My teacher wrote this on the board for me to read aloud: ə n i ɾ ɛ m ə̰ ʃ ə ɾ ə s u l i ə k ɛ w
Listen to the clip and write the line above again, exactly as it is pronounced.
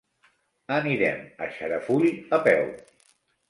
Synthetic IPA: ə n i ɾ ɛ m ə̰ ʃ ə ɾ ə f u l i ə p ɛ w